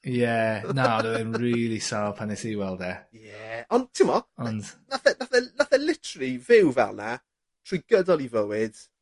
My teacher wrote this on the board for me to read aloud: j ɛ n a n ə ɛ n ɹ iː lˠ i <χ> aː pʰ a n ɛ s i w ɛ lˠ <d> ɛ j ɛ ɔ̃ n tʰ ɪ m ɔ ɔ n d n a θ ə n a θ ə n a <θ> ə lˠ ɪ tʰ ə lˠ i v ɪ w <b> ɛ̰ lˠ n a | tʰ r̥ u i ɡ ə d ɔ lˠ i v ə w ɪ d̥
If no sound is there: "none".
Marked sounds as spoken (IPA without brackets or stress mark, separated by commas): s, d, θ, v